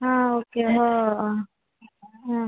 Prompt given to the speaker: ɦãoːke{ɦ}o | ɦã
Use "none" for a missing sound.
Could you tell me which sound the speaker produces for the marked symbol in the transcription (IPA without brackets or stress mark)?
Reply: ɦ